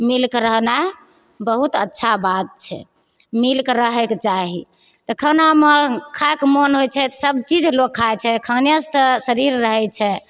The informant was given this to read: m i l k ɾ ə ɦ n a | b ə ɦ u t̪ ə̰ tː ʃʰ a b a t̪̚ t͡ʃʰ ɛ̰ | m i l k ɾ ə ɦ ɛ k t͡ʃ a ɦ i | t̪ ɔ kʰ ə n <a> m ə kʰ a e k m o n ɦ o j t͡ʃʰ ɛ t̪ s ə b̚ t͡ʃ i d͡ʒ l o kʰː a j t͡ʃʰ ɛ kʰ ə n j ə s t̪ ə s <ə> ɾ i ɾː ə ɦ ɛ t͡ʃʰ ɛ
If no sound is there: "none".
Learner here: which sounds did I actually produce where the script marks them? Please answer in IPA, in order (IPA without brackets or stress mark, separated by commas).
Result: a, ə